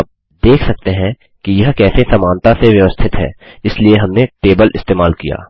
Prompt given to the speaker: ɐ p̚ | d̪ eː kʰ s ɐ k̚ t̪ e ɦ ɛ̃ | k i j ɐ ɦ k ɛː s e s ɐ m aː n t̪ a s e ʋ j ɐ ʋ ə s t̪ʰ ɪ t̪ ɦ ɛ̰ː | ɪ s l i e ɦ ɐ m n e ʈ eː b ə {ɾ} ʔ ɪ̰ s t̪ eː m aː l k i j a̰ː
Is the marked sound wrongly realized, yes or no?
yes